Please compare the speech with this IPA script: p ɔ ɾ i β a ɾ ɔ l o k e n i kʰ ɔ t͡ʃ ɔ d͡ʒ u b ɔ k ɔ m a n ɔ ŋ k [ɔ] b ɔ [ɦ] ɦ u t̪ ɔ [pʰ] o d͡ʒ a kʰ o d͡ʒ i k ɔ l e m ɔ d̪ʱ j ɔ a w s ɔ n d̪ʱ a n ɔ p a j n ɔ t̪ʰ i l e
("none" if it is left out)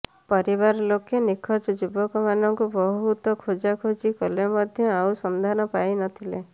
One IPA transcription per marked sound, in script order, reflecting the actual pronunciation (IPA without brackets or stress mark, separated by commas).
u, ɦ, kʰ